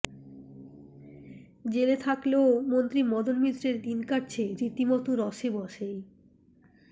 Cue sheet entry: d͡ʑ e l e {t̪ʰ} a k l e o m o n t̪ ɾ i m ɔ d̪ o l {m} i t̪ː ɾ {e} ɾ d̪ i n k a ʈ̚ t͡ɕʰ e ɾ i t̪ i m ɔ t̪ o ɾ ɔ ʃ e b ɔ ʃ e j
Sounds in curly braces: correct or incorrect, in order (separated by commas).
correct, correct, correct